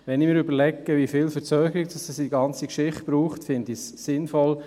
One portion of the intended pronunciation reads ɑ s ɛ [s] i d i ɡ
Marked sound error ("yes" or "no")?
no